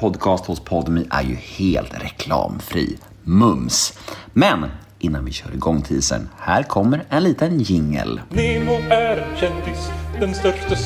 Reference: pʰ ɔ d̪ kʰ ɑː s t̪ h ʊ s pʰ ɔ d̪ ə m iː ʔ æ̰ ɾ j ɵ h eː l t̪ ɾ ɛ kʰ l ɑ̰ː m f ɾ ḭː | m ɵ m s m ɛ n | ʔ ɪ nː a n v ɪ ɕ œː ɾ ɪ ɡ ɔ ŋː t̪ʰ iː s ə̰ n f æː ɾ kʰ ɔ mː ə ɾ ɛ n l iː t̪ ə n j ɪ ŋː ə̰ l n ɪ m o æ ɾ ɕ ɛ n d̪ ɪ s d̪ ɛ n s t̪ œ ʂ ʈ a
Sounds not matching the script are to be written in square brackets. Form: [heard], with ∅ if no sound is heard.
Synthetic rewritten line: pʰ ɔ d̪ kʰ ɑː s t̪ h ʊ s pʰ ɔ d̪ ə m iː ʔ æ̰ ɾ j ɵ h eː l t̪ ɾ ɛ kʰ l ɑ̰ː m f ɾ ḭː | m ɵ m s m ɛ n | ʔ ɪ nː a n v ɪ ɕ œː ɾ ɪ ɡ ɔ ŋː t̪ʰ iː s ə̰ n [h] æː ɾ kʰ ɔ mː ə ɾ ɛ n l iː t̪ ə n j ɪ ŋː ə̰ l n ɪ m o æ ɾ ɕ ɛ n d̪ ɪ s d̪ ɛ n s t̪ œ ʂ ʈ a